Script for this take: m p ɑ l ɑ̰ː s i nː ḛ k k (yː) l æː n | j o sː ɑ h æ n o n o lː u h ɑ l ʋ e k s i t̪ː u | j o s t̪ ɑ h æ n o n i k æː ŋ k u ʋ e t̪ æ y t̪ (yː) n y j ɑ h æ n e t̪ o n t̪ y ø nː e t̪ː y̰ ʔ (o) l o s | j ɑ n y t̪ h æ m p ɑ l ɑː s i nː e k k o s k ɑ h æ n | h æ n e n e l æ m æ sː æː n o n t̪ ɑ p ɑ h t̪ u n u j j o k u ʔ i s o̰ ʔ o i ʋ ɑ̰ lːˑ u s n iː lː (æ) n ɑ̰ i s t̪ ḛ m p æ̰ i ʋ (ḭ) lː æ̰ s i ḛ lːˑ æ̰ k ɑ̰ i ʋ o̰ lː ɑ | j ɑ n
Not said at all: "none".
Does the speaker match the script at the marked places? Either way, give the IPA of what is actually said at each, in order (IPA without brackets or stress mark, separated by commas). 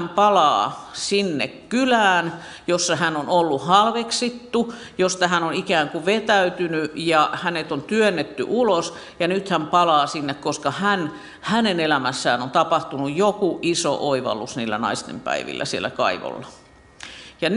y, y, u, æ, ḭ